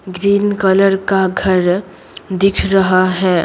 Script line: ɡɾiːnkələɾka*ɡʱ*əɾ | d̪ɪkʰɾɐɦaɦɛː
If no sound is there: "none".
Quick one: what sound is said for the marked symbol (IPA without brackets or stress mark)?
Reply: ɡʱ